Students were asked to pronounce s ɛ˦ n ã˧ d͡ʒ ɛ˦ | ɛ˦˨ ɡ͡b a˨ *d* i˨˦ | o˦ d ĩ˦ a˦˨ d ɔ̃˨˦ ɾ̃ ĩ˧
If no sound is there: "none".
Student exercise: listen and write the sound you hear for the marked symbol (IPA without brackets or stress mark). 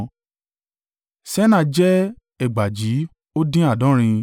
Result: d͡ʒ